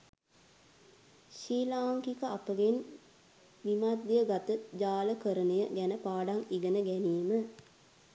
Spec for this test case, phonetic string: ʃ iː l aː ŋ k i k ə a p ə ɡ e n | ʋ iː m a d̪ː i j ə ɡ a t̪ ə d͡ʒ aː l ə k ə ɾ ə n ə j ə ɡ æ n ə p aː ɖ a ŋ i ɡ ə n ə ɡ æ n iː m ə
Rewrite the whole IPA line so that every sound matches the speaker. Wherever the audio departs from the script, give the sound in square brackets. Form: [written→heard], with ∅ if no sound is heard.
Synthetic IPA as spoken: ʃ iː l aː ŋ k i k ə a p ə ɡ e n | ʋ [iː→i] m a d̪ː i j ə ɡ a t̪ ə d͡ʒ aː l ə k ə ɾ ə n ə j ə ɡ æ n ə p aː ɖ a ŋ i ɡ ə n ə ɡ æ n iː m ə